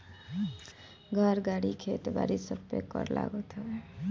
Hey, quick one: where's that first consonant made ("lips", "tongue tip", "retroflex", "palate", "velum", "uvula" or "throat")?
velum